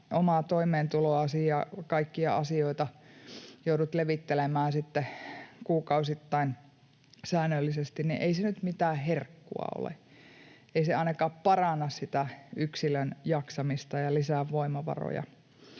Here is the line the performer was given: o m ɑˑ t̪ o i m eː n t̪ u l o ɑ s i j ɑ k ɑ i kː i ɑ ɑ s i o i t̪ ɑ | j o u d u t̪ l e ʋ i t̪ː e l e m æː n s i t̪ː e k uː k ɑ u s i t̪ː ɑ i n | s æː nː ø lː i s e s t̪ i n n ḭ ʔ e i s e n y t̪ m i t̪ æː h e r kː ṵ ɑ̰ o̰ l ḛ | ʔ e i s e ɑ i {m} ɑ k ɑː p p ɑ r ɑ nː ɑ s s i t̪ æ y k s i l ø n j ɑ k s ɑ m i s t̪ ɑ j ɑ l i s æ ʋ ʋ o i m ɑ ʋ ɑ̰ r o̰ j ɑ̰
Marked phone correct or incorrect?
incorrect: n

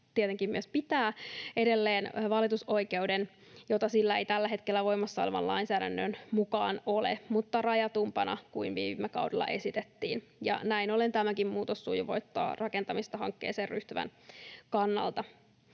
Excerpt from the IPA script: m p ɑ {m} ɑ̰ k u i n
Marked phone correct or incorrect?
incorrect: n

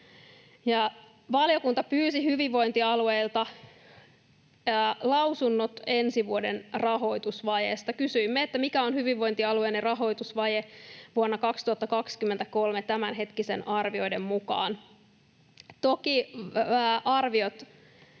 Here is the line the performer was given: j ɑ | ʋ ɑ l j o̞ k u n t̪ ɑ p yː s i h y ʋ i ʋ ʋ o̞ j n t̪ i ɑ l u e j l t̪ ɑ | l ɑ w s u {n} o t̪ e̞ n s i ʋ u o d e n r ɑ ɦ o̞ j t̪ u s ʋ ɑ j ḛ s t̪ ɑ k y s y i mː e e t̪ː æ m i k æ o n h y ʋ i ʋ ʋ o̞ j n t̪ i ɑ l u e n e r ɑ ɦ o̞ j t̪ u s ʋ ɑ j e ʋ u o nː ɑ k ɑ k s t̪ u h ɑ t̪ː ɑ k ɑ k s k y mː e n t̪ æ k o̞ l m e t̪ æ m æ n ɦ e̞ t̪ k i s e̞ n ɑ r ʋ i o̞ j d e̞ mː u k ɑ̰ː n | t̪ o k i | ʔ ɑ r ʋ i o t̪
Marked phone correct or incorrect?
incorrect: nː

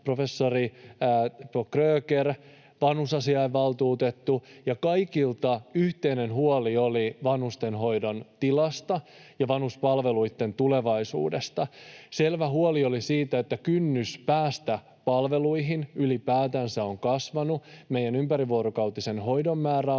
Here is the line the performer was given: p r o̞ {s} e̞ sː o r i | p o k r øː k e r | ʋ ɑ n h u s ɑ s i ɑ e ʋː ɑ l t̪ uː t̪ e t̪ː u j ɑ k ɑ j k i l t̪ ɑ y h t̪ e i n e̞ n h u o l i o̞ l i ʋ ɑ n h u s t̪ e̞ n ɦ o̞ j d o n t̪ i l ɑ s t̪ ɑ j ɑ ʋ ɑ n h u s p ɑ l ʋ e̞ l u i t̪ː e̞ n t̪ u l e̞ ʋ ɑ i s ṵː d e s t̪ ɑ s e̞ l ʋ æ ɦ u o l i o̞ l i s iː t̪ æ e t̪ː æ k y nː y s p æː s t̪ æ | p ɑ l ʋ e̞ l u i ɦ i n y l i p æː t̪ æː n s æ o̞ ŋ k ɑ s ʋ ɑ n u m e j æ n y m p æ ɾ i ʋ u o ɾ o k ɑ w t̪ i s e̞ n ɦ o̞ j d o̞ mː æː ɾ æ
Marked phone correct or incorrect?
incorrect: f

